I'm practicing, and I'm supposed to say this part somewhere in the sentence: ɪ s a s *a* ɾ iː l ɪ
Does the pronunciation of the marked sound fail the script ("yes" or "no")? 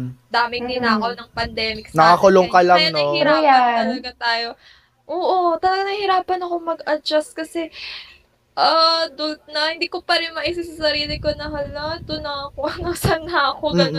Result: yes